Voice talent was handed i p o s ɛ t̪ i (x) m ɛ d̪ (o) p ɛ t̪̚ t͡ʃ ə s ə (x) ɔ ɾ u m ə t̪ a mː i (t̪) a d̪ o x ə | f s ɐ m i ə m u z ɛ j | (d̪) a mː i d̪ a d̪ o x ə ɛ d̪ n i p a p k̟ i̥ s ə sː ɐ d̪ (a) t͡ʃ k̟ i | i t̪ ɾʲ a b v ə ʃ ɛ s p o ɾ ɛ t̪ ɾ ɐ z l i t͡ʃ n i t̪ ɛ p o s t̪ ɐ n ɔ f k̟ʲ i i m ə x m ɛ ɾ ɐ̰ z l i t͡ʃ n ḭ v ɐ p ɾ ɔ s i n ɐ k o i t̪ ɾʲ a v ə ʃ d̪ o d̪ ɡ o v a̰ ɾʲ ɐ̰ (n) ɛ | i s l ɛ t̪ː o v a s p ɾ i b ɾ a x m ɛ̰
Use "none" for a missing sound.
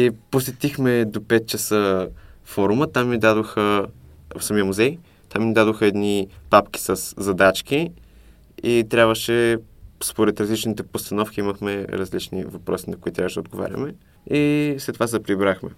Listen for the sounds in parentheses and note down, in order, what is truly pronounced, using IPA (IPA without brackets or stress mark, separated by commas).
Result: x, o, f, d̪, t̪, a, m